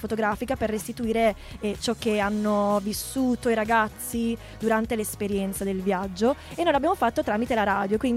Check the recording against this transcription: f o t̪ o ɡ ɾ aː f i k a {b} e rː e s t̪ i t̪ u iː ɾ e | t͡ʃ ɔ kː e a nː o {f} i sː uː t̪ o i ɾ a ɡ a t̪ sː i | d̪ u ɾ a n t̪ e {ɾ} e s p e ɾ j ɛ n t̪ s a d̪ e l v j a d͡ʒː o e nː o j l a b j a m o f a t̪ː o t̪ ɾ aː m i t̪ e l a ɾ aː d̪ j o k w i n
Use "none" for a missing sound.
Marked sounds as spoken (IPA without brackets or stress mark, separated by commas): p, v, l